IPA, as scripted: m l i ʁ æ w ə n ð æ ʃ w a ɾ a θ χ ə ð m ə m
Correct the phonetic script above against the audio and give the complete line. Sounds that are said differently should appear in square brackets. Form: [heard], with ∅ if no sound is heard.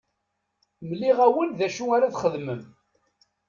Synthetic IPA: m l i ʁ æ w ə n ð æ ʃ [u] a ɾ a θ χ ə ð m ə m